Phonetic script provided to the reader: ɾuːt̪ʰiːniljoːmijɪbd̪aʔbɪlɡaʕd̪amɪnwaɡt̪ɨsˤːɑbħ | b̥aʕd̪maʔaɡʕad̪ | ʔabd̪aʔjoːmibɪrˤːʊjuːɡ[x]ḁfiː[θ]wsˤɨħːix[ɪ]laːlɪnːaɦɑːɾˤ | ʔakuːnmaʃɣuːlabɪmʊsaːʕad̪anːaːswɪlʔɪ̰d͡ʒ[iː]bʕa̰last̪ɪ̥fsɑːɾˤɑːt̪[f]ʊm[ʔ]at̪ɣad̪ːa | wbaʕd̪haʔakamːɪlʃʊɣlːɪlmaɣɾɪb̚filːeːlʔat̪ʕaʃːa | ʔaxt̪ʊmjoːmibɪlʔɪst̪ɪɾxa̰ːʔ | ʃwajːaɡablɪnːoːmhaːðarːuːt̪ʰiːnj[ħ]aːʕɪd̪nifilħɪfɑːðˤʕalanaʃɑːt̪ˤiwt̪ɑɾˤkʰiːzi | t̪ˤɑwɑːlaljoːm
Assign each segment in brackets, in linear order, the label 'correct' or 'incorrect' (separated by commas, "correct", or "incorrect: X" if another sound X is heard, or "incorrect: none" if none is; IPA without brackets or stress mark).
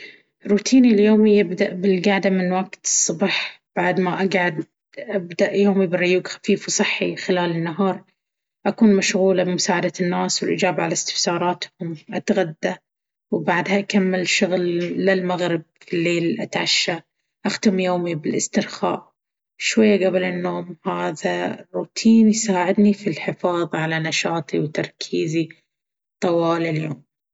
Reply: correct, incorrect: f, correct, incorrect: aː, incorrect: h, correct, incorrect: s